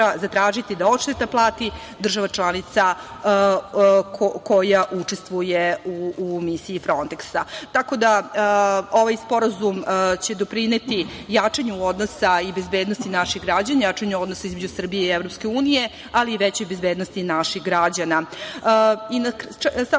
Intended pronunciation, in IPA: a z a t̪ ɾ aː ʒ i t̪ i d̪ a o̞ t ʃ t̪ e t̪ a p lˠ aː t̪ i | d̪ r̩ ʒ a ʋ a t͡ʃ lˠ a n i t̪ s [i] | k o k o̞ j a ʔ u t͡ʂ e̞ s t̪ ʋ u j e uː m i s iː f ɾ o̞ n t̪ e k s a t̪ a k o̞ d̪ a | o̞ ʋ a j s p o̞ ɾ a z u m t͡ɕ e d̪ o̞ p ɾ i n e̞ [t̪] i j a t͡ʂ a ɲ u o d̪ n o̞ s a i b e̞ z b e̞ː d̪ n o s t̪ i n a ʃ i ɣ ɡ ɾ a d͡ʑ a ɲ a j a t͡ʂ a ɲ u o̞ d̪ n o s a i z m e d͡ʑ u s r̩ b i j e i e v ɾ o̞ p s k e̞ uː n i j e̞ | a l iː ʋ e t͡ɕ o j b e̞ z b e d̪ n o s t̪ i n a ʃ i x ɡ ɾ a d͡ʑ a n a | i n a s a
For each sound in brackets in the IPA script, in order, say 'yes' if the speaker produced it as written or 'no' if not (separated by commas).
no, yes